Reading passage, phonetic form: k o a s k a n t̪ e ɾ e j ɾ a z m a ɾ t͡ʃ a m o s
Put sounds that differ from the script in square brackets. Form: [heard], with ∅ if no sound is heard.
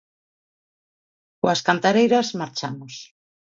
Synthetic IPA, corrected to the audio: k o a s k a n t̪ [a] ɾ e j ɾ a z m a ɾ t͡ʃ a m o s